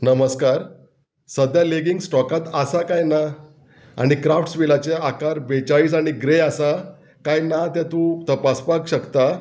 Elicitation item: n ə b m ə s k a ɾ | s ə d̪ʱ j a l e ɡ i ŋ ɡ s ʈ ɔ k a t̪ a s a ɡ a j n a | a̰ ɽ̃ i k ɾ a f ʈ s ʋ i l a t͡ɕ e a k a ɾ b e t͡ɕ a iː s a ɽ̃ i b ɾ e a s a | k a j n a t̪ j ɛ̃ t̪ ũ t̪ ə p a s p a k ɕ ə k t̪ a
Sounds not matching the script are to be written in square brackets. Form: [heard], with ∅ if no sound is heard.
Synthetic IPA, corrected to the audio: n ə [∅] m ə s k a ɾ | s ə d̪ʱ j a l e ɡ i ŋ ɡ s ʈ ɔ k a t̪ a s a [k] a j n a | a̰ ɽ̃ i k ɾ a f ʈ s ʋ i l a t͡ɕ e a k a ɾ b e t͡ɕ a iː s a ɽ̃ i [ɡ] ɾ e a s a | k a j n a t̪ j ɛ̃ t̪ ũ t̪ ə p a s p a k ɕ ə k t̪ a